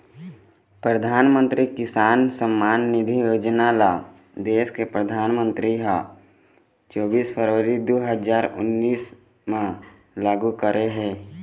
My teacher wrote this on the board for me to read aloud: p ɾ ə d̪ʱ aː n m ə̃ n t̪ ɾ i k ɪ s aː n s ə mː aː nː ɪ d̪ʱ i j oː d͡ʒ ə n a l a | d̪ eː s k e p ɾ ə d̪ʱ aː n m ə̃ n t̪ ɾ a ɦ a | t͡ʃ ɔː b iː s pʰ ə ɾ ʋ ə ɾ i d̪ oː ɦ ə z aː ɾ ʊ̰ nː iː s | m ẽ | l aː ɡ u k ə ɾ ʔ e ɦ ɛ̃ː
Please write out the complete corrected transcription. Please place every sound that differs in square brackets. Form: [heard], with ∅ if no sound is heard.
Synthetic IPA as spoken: p ɾ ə d̪ʱ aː n m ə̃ n t̪ ɾ i k ɪ s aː n s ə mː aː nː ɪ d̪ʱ i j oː d͡ʒ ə n a l a | d̪ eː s k e p ɾ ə d̪ʱ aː n m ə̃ n t̪ ɾ [i] ɦ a | t͡ʃ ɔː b iː s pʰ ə ɾ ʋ ə ɾ i d̪ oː ɦ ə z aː ɾ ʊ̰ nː iː s | m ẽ | l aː ɡ u k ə ɾ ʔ e ɦ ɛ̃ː